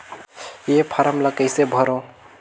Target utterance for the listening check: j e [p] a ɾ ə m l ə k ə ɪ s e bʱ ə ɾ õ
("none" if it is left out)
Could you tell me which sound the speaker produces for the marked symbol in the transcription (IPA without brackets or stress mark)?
pʰ